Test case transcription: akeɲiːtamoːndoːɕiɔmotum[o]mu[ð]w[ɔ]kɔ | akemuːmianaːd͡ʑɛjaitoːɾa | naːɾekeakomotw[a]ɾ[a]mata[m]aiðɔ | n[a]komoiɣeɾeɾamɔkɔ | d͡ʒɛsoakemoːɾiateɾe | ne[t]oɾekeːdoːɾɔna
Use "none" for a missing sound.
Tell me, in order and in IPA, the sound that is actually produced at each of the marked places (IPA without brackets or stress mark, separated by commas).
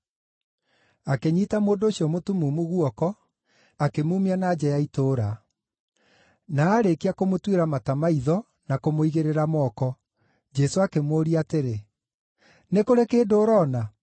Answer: u, ɣ, ɔ, e, a, m, a, k